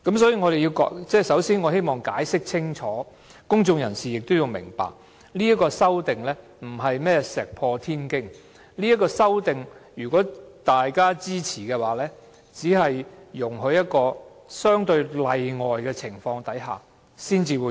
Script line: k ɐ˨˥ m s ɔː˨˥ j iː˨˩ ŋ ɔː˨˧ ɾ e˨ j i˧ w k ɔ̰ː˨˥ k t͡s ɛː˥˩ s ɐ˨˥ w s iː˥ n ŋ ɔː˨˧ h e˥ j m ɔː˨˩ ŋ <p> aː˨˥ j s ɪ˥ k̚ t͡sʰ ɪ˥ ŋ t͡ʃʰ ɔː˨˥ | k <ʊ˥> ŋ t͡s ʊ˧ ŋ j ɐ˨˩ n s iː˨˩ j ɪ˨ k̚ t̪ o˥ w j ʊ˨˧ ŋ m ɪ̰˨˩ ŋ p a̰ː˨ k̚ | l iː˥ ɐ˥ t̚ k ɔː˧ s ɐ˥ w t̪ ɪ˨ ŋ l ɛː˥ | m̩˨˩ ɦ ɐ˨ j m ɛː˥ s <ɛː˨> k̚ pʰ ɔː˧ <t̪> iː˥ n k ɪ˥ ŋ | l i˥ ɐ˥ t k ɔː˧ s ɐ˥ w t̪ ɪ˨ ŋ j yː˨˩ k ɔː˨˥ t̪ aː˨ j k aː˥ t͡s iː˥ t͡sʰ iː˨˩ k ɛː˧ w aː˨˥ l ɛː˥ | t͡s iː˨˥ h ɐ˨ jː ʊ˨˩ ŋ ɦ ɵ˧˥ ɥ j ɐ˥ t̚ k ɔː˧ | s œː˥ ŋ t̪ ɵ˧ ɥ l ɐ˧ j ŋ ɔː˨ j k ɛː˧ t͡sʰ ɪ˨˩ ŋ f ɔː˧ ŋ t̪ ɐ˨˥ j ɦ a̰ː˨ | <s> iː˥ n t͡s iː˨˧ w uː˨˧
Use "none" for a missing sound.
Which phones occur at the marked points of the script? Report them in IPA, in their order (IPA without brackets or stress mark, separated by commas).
k, ʊ˥, ɛː˨, t̪ʰ, s